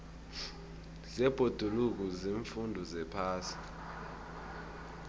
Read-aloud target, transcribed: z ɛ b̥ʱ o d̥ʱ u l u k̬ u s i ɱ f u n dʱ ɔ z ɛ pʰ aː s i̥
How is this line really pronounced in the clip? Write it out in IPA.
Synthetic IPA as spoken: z ɛ b̥ʱ o d̥ʱ u l u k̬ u z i ɱ f u n dʱ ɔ z ɛ pʰ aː s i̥